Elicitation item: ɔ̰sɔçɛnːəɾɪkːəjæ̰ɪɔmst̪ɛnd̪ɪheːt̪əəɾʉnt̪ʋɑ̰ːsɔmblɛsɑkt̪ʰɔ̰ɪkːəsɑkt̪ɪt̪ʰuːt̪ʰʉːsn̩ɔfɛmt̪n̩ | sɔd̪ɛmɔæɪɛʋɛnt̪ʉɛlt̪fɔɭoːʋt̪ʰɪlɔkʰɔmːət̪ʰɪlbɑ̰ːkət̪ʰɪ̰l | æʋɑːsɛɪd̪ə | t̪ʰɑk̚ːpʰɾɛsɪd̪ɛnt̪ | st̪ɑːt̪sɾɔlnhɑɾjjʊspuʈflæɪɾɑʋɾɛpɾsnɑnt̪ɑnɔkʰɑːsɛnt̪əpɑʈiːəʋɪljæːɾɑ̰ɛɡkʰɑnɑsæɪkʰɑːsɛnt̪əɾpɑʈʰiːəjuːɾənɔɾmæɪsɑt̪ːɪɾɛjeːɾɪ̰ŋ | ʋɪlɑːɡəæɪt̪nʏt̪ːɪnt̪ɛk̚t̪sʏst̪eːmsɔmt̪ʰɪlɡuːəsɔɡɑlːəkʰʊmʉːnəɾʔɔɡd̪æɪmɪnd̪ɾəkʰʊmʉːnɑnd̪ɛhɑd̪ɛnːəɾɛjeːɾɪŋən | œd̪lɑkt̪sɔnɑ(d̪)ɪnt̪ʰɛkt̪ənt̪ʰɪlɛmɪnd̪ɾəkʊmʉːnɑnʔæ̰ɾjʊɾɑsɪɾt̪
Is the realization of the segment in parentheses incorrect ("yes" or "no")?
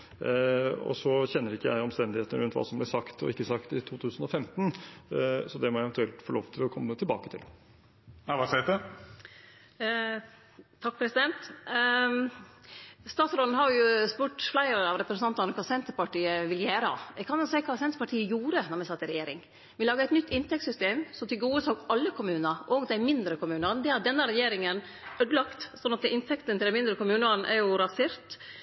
yes